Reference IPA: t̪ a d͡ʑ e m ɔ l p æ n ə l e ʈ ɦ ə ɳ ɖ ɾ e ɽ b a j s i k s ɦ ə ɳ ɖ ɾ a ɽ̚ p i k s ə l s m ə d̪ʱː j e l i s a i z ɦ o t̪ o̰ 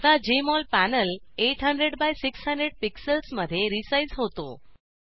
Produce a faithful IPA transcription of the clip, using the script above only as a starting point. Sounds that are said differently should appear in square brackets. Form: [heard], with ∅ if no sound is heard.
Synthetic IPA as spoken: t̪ a d͡ʑ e m ɔ l p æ n ə l e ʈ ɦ ə ɳ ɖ ɾ e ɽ b a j s i k s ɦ ə ɳ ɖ ɾ [e] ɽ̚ p i k s ə l s m ə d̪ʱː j e [ɾ] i s a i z ɦ o t̪ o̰

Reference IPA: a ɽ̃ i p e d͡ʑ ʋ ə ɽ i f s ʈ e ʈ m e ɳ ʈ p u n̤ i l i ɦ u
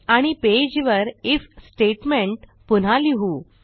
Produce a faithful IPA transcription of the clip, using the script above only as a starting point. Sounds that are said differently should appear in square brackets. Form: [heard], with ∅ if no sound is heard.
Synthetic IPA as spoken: a ɽ̃ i p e d͡ʑ ʋ ə [ɾ] i f s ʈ e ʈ m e ɳ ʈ p u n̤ [a] l i ɦ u

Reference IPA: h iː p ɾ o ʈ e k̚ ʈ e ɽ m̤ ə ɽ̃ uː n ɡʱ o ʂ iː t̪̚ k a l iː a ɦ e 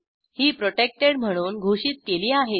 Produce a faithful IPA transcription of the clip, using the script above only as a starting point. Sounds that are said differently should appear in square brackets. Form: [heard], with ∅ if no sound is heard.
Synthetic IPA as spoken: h iː p ɾ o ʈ e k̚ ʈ e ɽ m̤ ə ɽ̃ uː n ɡʱ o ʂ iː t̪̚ k [e] l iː a ɦ e

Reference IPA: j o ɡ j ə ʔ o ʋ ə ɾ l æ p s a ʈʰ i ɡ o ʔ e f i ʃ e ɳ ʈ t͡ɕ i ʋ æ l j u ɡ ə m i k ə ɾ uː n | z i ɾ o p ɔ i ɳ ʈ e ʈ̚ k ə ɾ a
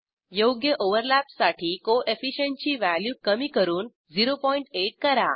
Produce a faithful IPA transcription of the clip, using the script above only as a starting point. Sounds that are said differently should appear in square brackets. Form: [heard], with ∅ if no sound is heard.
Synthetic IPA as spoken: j o ɡ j ə ʔ o ʋ ə ɾ l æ p s a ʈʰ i [k] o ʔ e f i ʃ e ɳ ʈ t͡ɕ i ʋ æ l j u [k] ə m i k ə ɾ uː n | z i ɾ o p ɔ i ɳ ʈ e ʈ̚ k ə ɾ a

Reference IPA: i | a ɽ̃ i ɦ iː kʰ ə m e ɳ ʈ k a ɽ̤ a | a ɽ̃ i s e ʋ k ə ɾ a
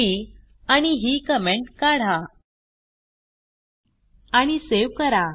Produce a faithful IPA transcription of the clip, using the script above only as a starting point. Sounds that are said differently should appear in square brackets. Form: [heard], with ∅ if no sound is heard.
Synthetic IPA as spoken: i | a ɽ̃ i ɦ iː [k] ə m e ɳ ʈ k a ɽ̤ a | a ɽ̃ i s e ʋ k ə ɾ a

